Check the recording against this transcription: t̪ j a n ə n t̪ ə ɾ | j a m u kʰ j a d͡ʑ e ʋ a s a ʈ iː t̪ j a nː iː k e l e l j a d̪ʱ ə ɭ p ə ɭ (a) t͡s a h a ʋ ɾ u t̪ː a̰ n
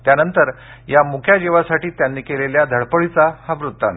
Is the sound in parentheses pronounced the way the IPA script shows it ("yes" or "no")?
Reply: no